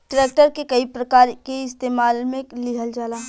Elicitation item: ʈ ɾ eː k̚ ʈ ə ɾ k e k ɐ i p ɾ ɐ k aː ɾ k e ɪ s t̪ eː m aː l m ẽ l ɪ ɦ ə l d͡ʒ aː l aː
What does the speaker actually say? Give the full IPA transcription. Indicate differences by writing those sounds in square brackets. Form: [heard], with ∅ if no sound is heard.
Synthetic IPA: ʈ ɾ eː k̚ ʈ ə ɾ k e k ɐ i p ɾ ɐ k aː ɾ k e ɪ s t̪ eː m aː l m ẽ l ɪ ɦ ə l d͡ʒ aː l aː

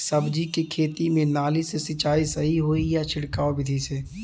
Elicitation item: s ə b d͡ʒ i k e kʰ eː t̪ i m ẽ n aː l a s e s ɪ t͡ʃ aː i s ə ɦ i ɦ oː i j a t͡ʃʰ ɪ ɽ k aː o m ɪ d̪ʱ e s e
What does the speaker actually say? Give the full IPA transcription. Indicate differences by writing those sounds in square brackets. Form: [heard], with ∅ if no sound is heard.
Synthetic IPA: s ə b d͡ʒ i k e kʰ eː t̪ i m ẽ n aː l [i] s e s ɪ t͡ʃ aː i s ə ɦ i ɦ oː i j a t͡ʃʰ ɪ ɽ k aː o [b] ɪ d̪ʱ [i] s e

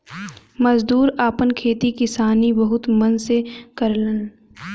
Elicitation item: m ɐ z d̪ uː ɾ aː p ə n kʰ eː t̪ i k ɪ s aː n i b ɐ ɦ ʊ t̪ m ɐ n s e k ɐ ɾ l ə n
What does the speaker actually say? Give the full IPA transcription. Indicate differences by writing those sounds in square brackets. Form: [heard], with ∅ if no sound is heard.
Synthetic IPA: m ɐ z d̪ uː ɾ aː p ə n kʰ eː t̪ i k ɪ s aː n i b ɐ ɦ ʊ t̪ m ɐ n s e k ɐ ɾ l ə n

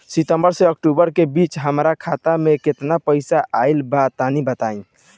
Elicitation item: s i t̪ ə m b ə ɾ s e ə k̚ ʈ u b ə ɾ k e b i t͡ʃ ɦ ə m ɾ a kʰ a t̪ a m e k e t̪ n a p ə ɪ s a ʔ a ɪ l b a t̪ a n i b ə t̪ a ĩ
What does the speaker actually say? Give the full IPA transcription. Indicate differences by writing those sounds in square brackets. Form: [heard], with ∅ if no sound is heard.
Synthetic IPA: s i t̪ ə m b ə ɾ s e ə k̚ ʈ u b ə ɾ k e b i t͡ʃ ɦ ə m ɾ a kʰ a t̪ a m e k e t̪ n a p ə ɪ s a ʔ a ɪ l b a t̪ a n i b ə t̪ a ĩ

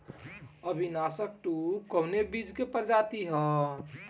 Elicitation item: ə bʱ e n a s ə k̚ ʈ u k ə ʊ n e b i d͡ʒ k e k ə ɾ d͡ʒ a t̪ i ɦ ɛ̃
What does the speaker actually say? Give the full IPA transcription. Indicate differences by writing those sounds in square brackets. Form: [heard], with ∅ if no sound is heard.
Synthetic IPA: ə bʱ [i] n a s ə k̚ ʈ u k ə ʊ n e b i d͡ʒ k e [p] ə ɾ d͡ʒ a t̪ i ɦ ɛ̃

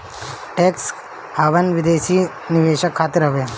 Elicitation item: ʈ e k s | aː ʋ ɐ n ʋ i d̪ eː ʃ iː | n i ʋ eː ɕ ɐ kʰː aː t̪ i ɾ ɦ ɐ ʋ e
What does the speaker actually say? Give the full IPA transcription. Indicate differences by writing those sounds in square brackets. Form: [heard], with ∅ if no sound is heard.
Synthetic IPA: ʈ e k s | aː ʋ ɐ n ʋ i d̪ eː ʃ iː | n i ʋ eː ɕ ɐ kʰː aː t̪ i ɾ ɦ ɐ ʋ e

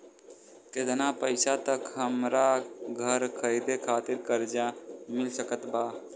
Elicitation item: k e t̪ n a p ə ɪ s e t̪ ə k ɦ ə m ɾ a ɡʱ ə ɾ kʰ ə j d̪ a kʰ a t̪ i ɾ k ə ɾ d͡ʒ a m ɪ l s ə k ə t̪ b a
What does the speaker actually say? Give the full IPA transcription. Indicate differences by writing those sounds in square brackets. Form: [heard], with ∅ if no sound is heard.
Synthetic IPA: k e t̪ n a p ə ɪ s [a] t̪ ə k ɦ ə m ɾ a ɡʱ ə ɾ kʰ ə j d̪ [e] kʰ a t̪ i ɾ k ə ɾ d͡ʒ a m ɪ l s ə k ə t̪ b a

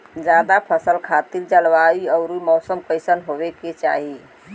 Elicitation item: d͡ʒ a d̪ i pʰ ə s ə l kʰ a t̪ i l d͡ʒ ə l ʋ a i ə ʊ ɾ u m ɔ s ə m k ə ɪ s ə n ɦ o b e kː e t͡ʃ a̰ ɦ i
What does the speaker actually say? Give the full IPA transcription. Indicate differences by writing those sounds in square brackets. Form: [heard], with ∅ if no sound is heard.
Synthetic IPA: d͡ʒ a d̪ [a] pʰ ə s ə l kʰ a t̪ i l d͡ʒ ə l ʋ a i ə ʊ ɾ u m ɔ s ə m k ə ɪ s ə n ɦ o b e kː e t͡ʃ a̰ ɦ i

